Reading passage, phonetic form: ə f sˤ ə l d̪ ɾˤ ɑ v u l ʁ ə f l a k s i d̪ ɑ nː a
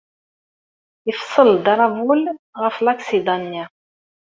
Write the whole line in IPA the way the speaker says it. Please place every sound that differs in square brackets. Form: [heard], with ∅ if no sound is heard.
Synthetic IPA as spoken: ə f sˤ ə l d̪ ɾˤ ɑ v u l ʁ ə f l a k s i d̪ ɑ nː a